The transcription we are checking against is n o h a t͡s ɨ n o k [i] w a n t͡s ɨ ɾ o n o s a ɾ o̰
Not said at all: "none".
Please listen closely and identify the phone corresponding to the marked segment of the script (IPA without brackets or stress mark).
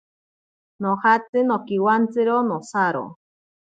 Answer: i